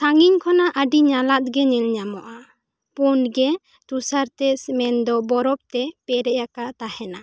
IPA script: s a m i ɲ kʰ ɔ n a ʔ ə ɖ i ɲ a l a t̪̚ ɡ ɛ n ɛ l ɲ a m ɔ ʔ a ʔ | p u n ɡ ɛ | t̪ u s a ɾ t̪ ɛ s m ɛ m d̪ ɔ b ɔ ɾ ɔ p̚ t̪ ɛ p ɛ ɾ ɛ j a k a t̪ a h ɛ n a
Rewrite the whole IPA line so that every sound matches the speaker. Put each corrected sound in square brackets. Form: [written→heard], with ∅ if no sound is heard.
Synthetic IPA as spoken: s a [m→ŋ] i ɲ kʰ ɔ n a ʔ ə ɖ i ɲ a l a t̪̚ ɡ ɛ [n→ɲ] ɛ l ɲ a m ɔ ʔ a [ʔ→∅] | p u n ɡ ɛ | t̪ u s a ɾ t̪ ɛ s m ɛ [m→n] d̪ ɔ b ɔ ɾ ɔ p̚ t̪ ɛ p ɛ ɾ ɛ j a k a t̪ a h ɛ n a

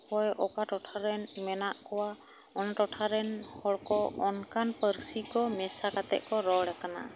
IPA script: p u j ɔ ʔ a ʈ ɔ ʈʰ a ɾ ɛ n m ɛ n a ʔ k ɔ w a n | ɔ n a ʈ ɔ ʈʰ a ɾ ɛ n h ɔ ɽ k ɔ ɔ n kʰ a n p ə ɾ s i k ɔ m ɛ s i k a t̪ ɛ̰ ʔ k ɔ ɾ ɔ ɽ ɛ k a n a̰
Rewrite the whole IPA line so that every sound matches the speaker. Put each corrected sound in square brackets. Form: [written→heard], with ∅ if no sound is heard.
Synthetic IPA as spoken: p [u→ɔ] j ɔ [ʔ→k] a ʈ ɔ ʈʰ a ɾ ɛ n m ɛ n a ʔ k ɔ w a [n→∅] | ɔ n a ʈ ɔ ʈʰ a ɾ ɛ n h ɔ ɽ k ɔ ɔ n [kʰ→k] a n p ə ɾ s i k ɔ m ɛ s [i→a] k a t̪ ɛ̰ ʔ k ɔ ɾ ɔ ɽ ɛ k a n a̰

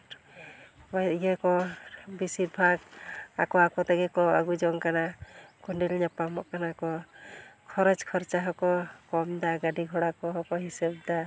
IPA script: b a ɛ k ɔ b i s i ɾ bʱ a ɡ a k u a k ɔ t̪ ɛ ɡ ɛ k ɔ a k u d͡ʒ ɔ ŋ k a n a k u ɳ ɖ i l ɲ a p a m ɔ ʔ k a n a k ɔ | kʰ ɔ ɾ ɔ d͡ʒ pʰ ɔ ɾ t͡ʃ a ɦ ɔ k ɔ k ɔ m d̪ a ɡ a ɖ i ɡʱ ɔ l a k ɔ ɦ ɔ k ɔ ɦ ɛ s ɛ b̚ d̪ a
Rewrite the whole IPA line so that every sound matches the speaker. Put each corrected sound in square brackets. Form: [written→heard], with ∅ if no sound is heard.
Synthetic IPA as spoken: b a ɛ k ɔ b i s i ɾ bʱ a ɡ a k [u→ɔ] a k ɔ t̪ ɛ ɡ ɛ k ɔ a [k→ɡ] u d͡ʒ ɔ ŋ k a n a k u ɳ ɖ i l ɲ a p a m ɔ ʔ k a n a k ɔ | kʰ ɔ ɾ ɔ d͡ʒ [pʰ→kʰ] ɔ ɾ t͡ʃ a ɦ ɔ k ɔ k ɔ m d̪ a ɡ a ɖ i ɡʱ ɔ [l→ɽ] a k ɔ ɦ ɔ k ɔ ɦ [ɛ→i] s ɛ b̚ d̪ a

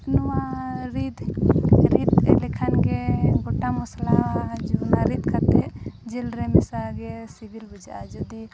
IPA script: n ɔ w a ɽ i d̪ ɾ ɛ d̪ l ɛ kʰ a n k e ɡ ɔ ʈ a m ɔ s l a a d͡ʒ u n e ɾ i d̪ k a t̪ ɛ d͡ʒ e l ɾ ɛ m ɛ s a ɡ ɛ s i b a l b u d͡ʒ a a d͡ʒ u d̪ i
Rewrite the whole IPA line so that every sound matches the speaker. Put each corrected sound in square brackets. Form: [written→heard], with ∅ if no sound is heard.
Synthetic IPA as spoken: n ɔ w a [ɽ→ɾ] i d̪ ɾ [ɛ→i] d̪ l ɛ kʰ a n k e ɡ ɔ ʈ a m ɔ s l a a d͡ʒ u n [e→a] ɾ i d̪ k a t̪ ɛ d͡ʒ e l ɾ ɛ m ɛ s a ɡ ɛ s i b [a→i] l b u d͡ʒ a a d͡ʒ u d̪ i

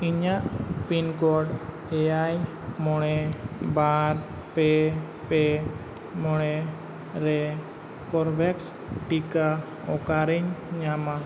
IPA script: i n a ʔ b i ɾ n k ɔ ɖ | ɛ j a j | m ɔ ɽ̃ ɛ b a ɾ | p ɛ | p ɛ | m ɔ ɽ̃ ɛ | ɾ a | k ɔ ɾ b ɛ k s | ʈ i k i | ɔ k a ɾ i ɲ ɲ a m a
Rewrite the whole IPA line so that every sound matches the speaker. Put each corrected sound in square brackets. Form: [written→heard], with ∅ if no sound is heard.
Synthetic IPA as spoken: i [n→ɲ] a ʔ [b→p] i [ɾ→∅] n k ɔ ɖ | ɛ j a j | m ɔ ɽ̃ ɛ b a ɾ | p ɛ | p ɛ | m ɔ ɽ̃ ɛ | ɾ [a→ɛ] | k ɔ ɾ b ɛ k s | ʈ i k [i→a] | ɔ k a ɾ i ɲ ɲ a m a

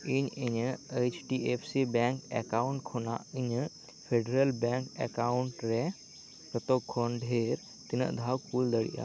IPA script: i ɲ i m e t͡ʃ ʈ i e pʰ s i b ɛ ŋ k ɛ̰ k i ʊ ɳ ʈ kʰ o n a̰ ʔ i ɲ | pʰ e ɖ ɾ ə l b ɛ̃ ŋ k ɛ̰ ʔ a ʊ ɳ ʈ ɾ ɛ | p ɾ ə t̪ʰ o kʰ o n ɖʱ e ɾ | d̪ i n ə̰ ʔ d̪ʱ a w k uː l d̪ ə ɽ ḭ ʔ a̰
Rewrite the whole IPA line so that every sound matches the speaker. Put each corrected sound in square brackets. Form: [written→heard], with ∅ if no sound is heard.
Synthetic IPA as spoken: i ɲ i [m→ɲ] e t͡ʃ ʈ i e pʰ s i b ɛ ŋ k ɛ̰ k [i→a] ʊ ɳ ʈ kʰ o n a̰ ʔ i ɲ | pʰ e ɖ ɾ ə l b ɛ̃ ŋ k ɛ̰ [ʔ→k] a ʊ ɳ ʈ ɾ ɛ | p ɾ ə [t̪ʰ→t̪] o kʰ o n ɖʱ e ɾ | [d̪→t̪] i n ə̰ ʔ d̪ʱ a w k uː l d̪ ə ɽ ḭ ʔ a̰

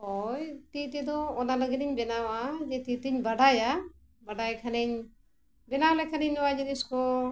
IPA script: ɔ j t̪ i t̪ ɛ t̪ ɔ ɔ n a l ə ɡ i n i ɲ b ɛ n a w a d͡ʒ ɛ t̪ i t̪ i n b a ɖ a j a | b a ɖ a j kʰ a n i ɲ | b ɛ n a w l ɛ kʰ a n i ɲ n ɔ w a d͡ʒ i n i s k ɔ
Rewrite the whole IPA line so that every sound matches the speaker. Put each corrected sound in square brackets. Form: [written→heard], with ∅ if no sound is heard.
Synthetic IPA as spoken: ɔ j t̪ i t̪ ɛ [t̪→d̪] ɔ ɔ n a l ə ɡ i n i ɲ b ɛ n a w a d͡ʒ ɛ t̪ i t̪ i [n→ɲ] b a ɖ a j a | b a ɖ a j kʰ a n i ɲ | b ɛ n a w l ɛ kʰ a n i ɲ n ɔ w a d͡ʒ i n i s k ɔ

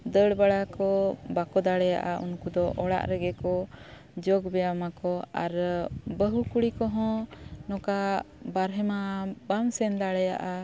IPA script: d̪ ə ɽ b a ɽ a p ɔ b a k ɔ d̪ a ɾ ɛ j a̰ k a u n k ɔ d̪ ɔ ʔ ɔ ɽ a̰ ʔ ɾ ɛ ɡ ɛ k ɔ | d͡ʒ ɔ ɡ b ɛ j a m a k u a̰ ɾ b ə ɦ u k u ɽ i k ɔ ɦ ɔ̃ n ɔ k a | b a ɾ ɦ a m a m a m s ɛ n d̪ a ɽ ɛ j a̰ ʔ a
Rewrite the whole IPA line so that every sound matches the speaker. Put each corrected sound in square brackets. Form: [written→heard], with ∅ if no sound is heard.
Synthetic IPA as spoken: d̪ ə ɽ b a ɽ a [p→k] ɔ b a k ɔ d̪ a [ɾ→ɽ] ɛ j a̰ [k→ʔ] a u n k [ɔ→u] d̪ ɔ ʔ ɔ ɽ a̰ ʔ ɾ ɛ ɡ ɛ k ɔ | d͡ʒ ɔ ɡ b ɛ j a m a k [u→ɔ] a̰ ɾ b ə ɦ u k u ɽ i k ɔ ɦ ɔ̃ n ɔ k a | b a ɾ ɦ [a→ɛ] m a [m→b] a m s ɛ n d̪ a ɽ ɛ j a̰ ʔ a

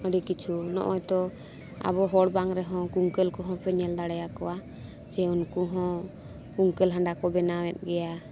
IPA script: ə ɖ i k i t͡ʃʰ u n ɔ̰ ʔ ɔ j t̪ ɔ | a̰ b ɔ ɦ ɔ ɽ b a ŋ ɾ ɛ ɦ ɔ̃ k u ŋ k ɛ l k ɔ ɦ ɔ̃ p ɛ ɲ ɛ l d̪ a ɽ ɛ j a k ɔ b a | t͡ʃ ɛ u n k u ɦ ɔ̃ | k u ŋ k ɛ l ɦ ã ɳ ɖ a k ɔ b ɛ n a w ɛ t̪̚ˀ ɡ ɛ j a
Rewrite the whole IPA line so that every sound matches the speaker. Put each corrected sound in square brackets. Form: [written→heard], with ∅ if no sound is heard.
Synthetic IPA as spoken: ə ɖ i k i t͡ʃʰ u n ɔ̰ ʔ ɔ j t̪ ɔ | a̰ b ɔ ɦ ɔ ɽ b a ŋ ɾ ɛ ɦ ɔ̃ k u ŋ k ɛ l k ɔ ɦ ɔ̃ p ɛ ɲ ɛ l d̪ a ɽ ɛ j a k ɔ [b→w] a | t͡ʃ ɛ u n k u ɦ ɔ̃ | k u ŋ k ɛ l ɦ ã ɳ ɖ a k ɔ b ɛ n a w ɛ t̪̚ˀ ɡ ɛ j a

